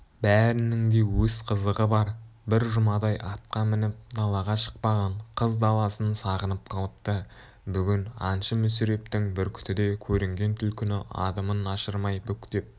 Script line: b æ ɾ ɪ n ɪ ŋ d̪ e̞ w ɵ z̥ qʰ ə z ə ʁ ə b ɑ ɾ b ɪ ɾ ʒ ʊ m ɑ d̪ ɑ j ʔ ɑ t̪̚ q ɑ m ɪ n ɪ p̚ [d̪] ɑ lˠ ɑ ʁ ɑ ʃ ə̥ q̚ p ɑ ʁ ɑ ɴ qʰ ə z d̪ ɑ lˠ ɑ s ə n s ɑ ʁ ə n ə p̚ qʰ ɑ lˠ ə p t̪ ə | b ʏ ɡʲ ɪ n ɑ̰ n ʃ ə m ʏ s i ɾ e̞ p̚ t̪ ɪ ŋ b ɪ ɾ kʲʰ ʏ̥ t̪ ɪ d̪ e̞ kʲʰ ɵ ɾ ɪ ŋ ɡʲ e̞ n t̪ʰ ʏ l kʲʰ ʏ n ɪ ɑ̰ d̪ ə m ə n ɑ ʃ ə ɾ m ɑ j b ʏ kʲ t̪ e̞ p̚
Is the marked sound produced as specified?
yes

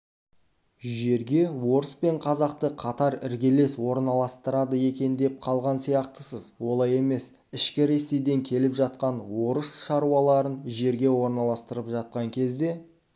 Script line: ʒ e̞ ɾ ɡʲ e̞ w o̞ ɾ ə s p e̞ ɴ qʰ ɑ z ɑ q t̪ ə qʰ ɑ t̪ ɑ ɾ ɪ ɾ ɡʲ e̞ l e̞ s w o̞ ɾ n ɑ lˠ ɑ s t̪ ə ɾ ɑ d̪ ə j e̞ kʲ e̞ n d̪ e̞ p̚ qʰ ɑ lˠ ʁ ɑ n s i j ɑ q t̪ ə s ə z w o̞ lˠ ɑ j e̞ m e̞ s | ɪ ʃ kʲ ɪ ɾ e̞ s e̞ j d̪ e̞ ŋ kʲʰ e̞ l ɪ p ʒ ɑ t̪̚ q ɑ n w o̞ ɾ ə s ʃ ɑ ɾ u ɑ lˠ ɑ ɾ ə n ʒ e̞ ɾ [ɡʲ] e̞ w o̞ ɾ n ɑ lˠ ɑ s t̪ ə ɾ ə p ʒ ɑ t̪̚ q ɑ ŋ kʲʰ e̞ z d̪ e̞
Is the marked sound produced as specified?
yes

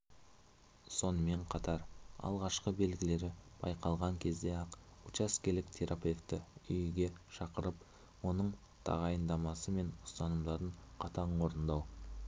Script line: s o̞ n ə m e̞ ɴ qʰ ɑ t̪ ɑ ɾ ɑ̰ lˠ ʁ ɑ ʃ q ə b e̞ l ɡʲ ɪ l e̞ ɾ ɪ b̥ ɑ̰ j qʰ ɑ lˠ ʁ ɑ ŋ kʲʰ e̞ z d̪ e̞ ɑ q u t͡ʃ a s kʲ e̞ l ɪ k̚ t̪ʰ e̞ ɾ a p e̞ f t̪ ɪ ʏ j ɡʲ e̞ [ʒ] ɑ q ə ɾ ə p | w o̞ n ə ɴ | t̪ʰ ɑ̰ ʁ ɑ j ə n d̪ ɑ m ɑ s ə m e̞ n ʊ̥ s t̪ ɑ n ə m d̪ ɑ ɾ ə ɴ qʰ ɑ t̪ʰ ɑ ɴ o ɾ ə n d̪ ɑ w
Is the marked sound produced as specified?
no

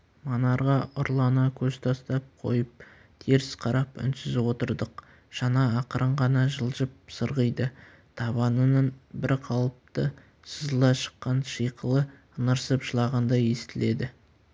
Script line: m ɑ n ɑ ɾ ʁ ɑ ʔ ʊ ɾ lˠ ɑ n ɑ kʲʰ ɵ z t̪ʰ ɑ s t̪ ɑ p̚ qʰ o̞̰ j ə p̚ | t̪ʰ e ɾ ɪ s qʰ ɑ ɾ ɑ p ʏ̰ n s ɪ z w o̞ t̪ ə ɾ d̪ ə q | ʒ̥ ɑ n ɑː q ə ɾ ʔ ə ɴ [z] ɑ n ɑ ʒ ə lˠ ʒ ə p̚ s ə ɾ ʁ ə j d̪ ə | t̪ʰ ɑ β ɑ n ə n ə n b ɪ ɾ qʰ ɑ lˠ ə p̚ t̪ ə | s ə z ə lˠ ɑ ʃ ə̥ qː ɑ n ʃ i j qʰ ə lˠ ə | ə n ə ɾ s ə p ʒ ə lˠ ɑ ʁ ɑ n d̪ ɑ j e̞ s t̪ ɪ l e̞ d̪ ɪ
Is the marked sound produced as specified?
no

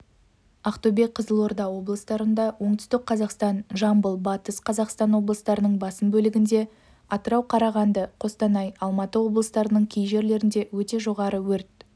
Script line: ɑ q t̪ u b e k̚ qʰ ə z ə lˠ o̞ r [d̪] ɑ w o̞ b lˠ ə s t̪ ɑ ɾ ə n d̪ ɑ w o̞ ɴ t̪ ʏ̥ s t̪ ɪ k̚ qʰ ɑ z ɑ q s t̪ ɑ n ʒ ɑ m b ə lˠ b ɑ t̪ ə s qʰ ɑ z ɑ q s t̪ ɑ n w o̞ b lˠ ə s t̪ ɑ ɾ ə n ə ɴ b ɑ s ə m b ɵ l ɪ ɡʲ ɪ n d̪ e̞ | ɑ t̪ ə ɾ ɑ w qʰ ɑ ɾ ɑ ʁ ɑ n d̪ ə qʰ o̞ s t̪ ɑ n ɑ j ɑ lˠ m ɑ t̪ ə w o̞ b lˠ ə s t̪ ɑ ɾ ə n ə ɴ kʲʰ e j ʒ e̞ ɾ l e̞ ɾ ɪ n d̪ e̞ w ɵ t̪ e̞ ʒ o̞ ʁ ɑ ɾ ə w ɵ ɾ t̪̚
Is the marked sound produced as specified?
yes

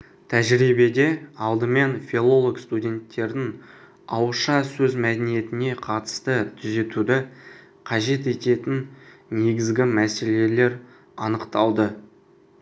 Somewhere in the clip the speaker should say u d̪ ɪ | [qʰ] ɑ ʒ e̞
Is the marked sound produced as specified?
yes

